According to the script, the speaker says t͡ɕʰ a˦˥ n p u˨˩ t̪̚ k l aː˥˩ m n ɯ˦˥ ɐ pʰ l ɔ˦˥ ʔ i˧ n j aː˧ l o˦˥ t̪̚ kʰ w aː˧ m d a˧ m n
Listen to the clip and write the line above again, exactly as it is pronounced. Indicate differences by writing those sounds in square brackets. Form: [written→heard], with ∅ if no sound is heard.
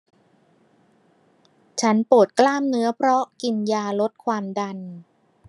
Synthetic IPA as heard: t͡ɕʰ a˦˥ n p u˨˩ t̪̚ k l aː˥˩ m n ɯ˦˥ ɐ pʰ [l→ɾ] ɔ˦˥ [ʔ→k] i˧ n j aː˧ l o˦˥ t̪̚ kʰ w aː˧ m d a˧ [m→∅] n

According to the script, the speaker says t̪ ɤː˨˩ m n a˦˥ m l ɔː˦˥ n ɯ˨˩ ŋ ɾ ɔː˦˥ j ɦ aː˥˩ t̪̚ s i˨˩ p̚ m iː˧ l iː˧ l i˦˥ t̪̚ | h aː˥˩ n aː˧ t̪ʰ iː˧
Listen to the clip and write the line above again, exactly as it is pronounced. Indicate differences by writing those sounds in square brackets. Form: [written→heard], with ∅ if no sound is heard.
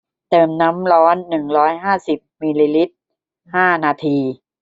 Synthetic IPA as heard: t̪ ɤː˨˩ m n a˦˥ m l ɔː˦˥ [n→nː] ɯ˨˩ ŋ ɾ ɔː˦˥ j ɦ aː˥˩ [t̪̚→∅] s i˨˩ p̚ m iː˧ l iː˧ l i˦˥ t̪̚ | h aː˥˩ n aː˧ t̪ʰ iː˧

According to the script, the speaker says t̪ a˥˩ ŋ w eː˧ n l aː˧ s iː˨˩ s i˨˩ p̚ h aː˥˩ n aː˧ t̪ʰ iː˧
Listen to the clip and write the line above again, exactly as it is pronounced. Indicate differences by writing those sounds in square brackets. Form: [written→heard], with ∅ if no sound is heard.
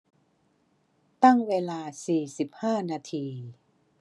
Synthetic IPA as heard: t̪ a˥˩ ŋ w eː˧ [n→∅] l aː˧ s iː˨˩ s i˨˩ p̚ h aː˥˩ n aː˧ t̪ʰ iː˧

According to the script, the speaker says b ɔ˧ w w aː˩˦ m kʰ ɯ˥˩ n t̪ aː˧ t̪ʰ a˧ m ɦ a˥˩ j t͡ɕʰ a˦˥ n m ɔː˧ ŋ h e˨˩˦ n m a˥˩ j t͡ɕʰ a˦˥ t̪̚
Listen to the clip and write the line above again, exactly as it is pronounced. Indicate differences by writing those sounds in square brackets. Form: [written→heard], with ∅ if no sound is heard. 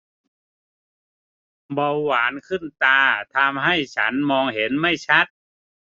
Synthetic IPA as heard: b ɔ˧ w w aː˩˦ [m→n] kʰ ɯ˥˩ n t̪ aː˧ t̪ʰ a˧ m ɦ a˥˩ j t͡ɕʰ a˦˥ n m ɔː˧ ŋ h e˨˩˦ n m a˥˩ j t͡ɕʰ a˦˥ t̪̚

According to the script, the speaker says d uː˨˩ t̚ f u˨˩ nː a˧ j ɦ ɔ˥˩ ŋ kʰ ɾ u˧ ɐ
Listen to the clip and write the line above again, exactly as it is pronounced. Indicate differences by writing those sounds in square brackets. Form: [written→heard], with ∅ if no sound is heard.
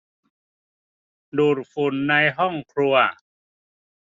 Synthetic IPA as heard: d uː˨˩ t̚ f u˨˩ nː a˧ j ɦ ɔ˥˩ ŋ kʰ ɾ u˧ ɐ

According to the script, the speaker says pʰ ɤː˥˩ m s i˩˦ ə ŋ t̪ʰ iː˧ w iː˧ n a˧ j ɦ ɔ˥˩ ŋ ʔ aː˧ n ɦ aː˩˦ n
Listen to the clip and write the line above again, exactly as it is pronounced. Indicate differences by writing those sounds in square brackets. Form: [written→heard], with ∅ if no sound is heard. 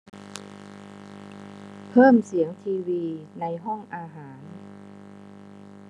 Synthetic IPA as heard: pʰ ɤː˥˩ m s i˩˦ ə ŋ t̪ʰ iː˧ w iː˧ n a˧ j ɦ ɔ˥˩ ŋ ʔ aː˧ [n→∅] ɦ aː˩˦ n

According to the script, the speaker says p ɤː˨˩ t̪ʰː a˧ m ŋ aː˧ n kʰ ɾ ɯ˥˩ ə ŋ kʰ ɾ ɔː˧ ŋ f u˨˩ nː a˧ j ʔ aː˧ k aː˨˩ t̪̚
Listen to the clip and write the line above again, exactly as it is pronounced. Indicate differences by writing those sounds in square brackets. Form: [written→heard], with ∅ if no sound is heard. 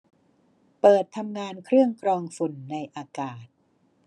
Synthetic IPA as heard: p ɤː˨˩ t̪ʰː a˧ m ŋ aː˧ n kʰ ɾ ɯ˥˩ ə ŋ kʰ ɾ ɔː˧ ŋ f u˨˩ nː a˧ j ʔ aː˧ k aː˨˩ t̪̚

